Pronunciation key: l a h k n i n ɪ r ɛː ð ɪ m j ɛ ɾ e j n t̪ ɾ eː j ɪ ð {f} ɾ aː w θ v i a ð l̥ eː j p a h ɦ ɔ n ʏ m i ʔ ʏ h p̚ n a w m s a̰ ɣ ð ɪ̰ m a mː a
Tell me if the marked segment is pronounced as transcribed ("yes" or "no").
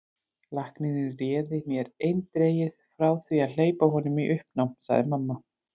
yes